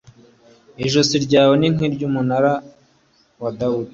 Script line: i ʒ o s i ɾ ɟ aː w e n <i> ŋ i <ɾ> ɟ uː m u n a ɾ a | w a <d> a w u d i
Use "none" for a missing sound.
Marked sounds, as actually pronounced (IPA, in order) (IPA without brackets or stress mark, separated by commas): i, ɾ, d